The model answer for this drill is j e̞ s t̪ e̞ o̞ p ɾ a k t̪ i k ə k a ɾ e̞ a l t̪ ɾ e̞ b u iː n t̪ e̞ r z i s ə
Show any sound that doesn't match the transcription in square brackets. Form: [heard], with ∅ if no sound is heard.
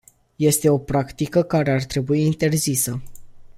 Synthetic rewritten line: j e̞ s t̪ e̞ o̞ p ɾ a k t̪ i k ə k a ɾ e̞ a [r] t̪ ɾ e̞ b u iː n t̪ e̞ r z i s ə